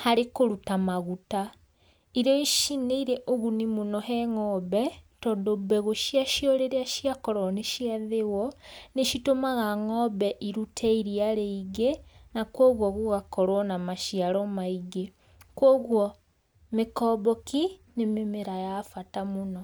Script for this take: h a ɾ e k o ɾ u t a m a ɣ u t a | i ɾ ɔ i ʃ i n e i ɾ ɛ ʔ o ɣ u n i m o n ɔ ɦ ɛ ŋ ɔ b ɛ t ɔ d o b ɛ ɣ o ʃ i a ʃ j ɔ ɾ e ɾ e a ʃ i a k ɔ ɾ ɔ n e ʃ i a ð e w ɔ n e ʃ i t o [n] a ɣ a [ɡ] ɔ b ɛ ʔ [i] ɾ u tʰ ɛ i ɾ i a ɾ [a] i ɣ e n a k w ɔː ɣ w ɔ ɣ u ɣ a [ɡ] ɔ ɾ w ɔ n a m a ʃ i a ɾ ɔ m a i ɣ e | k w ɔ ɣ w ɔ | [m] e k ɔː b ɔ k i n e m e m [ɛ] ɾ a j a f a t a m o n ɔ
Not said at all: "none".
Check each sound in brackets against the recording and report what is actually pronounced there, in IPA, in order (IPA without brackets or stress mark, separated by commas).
m, ŋ, i, e, k, m, e